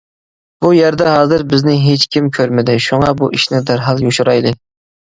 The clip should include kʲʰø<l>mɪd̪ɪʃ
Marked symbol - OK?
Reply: no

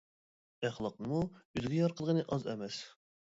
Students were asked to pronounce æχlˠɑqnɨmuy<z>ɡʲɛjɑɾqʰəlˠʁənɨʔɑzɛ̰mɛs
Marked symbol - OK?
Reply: yes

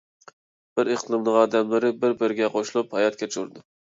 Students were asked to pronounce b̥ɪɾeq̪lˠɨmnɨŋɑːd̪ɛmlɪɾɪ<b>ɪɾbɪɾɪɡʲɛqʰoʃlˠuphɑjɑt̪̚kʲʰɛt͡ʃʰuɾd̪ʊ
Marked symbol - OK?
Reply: yes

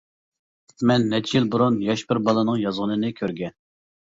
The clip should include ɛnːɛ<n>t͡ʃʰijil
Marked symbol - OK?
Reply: no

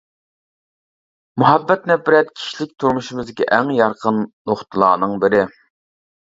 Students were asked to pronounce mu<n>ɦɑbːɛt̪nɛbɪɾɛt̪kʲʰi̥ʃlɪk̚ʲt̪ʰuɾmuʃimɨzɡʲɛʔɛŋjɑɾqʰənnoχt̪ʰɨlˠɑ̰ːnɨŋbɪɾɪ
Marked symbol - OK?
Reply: no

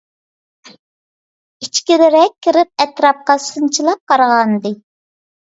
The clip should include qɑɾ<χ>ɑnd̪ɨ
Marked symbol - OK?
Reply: no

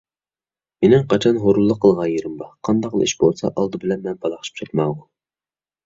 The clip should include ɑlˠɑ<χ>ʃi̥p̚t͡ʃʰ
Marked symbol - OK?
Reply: yes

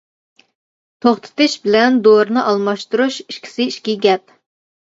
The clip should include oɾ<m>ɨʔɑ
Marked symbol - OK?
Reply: no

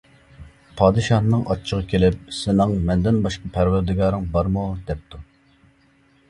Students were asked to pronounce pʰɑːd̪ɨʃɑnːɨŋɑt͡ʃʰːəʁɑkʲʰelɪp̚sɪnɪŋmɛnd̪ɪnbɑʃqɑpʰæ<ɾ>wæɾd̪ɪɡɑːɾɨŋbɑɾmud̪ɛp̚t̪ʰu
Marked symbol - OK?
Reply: yes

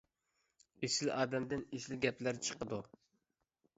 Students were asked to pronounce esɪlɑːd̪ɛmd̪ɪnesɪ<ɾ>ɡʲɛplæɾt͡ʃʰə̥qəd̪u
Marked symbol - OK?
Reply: no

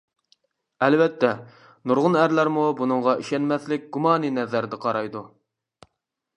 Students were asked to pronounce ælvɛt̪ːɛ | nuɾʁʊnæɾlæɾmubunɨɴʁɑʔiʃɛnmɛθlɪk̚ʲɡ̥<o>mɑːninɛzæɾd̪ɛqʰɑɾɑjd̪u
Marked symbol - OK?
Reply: no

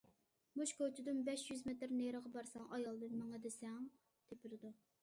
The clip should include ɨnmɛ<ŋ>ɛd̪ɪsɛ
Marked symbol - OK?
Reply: yes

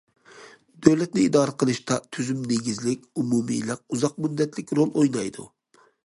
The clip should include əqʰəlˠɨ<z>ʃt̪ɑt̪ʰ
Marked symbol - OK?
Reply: no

